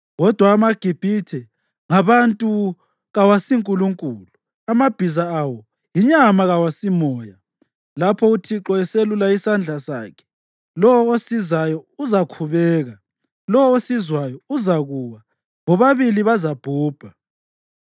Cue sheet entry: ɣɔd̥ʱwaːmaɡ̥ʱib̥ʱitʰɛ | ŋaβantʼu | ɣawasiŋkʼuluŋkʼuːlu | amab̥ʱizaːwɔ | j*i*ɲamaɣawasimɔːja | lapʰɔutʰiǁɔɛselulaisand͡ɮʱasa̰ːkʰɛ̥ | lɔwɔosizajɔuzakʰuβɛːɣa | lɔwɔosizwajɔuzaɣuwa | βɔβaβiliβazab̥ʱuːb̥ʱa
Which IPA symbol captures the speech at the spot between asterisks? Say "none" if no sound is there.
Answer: i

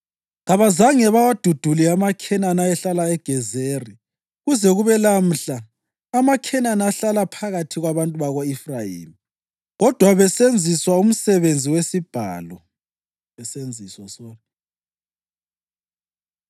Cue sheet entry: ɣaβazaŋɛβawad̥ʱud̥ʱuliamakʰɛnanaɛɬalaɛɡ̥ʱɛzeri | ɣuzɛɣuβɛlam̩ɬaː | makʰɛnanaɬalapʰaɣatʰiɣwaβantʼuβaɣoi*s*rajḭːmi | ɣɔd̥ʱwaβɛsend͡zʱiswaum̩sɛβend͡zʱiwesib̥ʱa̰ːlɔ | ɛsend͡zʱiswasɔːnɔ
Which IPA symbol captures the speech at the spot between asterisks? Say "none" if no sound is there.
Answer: f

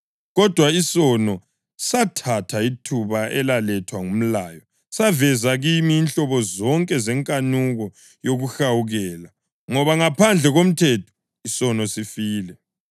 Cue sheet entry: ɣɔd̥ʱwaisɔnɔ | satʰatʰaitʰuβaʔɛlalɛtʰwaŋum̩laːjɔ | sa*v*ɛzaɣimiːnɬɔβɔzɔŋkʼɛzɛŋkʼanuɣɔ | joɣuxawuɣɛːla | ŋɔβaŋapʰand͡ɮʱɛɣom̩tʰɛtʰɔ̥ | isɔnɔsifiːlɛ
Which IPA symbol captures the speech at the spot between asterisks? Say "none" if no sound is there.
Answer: v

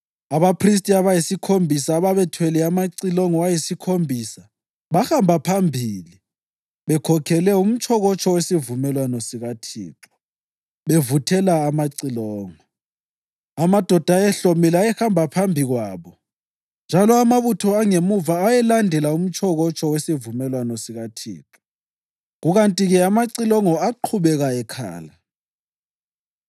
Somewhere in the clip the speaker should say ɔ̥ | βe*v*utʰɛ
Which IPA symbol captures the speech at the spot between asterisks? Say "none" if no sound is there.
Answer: v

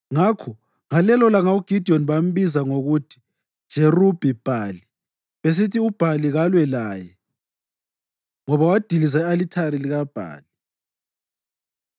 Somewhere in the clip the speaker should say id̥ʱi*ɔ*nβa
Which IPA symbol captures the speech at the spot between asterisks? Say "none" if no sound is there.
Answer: ɔ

